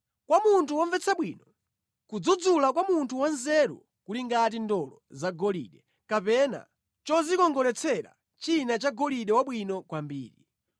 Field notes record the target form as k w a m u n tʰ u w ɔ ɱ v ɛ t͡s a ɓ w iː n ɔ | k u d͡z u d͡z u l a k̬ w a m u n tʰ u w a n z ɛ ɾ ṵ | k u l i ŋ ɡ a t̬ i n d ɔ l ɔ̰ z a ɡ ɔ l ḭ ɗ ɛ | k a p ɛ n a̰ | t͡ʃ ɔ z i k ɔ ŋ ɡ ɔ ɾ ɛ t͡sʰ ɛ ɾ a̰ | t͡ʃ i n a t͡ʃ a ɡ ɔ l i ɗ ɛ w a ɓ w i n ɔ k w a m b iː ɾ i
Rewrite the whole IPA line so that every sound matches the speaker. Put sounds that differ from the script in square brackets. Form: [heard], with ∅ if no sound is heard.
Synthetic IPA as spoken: k w a m u n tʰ u w ɔ ɱ v ɛ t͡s a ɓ w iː n ɔ | k u d͡z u d͡z u l a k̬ w a m u n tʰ u w a n z ɛ ɾ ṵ | k u l i ŋ ɡ a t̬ i n d ɔ l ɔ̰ z a ɡ ɔ l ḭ ɗ ɛ | k a p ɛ n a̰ | t͡ʃ ɔ z i k ɔ ŋ ɡ ɔ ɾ ɛ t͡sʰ ɛ ɾ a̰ | t͡ʃ i n a t͡ʃ a ɡ ɔ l i ɗ ɛ w a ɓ w i n ɔ k w a m b iː ɾ i